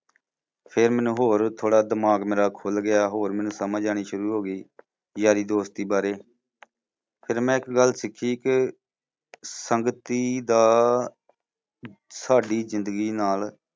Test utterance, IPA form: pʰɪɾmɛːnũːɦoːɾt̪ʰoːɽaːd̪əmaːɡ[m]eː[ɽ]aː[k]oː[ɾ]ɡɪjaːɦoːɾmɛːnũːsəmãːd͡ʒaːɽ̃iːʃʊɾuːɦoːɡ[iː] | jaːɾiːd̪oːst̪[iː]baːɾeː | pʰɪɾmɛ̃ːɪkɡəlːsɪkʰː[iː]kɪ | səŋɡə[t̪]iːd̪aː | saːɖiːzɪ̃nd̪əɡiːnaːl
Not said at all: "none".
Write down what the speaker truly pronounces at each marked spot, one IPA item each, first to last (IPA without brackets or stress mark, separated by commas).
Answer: m, ɾ, kʰ, l, iː, iː, iː, t̪